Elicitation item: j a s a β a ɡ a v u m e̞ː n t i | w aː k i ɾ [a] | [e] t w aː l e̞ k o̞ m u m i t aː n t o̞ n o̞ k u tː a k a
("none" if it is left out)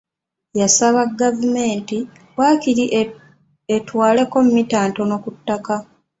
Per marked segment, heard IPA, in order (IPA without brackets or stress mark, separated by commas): i, e